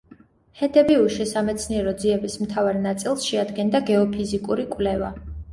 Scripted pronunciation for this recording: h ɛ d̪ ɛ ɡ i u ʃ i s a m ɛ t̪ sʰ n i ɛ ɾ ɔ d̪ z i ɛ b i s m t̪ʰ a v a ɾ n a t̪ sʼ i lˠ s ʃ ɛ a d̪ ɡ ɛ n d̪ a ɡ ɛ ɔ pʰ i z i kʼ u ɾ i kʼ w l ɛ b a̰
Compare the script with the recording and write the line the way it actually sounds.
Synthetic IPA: h ɛ d̪ ɛ b i u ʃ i s a m ɛ t̪ sʰ n i ɛ ɾ ɔ d̪ z i ɛ b i s m t̪ʰ a v a ɾ n a t̪ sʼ i lˠ s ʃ ɛ a d̪ ɡ ɛ n d̪ a ɡ ɛ ɔ pʰ i z i kʼ u ɾ i kʼ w l ɛ v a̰